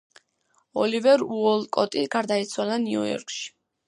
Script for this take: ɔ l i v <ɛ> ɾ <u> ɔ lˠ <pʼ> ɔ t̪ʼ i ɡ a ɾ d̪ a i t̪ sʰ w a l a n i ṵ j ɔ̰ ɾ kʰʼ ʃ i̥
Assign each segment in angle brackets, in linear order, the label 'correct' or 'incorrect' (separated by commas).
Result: correct, correct, incorrect